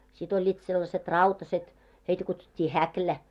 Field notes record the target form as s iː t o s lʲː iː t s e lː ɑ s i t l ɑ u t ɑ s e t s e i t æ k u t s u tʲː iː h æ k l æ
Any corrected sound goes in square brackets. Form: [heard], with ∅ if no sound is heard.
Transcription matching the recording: s [i] t o [∅] lʲː iː t s e lː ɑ s [e] t [r] ɑ u t ɑ s e t [h] e i t æ k u t s u tʲː iː h æ k l æ